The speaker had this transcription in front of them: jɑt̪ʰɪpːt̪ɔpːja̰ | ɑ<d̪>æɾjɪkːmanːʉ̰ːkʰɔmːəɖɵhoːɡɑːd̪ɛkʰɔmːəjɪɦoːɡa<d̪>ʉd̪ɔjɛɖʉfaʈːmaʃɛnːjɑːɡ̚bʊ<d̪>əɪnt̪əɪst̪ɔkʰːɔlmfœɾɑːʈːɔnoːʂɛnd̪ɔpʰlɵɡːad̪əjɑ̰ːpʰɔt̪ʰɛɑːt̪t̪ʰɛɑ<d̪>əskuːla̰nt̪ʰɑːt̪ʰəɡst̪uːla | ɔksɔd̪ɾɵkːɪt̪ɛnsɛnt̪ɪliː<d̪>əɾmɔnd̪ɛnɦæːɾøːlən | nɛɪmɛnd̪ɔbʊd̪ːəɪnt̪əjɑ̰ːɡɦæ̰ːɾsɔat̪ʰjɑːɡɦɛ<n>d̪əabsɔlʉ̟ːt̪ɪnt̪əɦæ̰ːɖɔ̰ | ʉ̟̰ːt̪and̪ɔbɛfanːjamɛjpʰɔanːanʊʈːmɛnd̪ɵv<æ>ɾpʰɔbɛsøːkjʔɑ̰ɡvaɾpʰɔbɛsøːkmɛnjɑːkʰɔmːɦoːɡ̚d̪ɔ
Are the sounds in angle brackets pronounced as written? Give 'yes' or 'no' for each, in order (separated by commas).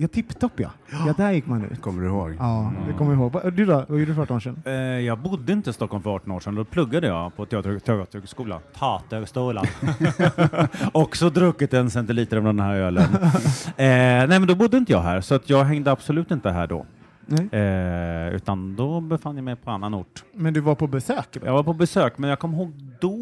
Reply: yes, yes, no, no, no, no, no